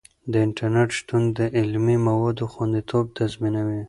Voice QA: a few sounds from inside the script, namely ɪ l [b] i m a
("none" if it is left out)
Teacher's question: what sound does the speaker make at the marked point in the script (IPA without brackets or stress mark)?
m